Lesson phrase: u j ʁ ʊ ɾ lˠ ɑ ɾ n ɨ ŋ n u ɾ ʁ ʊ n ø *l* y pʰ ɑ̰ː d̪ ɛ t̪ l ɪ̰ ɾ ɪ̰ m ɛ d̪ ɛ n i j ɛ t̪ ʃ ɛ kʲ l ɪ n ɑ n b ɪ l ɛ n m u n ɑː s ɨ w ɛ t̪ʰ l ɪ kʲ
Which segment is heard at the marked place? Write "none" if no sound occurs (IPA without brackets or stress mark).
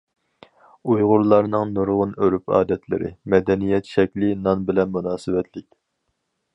ɾ